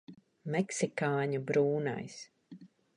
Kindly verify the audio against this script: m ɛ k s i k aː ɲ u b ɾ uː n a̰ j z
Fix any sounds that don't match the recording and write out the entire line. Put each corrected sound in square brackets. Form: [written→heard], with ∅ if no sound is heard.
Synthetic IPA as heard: m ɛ k s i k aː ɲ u b ɾ uː n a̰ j [z→s]